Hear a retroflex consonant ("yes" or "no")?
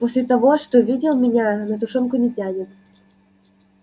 yes